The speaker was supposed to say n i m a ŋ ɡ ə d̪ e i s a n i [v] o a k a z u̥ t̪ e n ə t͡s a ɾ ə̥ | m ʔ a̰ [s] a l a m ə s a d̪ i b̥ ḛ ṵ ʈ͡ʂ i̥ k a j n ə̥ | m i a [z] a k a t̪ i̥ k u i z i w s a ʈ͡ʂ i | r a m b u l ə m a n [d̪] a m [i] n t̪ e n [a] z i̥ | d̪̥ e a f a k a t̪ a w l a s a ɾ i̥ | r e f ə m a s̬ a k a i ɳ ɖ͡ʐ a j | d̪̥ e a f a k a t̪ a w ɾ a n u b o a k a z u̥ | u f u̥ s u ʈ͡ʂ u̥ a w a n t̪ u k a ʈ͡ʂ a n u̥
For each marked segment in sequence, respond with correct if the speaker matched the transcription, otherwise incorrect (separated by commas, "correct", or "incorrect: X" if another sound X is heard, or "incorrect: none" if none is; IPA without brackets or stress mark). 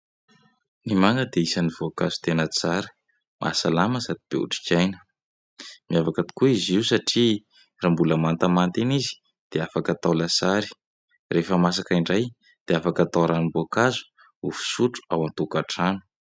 correct, correct, incorrect: v, incorrect: t̪, incorrect: a, incorrect: i